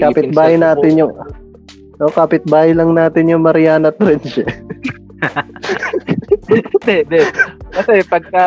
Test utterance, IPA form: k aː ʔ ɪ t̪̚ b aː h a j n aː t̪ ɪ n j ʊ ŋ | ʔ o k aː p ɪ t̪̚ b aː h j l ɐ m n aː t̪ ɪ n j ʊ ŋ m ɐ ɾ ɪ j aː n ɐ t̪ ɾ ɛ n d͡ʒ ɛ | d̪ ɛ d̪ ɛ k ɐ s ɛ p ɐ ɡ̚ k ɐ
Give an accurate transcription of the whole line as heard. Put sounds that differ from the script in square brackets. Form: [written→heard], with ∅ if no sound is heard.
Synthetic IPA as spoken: k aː [ʔ→p] ɪ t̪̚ b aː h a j n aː t̪ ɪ n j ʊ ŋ | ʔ o k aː p ɪ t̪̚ b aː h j l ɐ [m→ŋ] n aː t̪ ɪ n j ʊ ŋ m ɐ ɾ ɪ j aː n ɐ t̪ ɾ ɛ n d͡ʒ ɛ | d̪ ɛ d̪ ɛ k ɐ s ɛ p ɐ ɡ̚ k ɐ